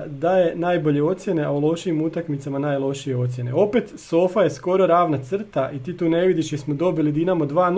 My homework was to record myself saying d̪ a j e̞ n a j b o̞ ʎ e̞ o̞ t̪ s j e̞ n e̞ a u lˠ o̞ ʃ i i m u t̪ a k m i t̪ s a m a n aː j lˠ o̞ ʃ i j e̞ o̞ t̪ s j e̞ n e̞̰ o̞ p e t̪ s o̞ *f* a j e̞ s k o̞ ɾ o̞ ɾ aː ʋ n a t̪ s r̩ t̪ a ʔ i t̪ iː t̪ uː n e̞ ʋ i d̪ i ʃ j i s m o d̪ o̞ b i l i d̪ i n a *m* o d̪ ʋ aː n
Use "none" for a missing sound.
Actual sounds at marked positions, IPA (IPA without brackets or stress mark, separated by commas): f, m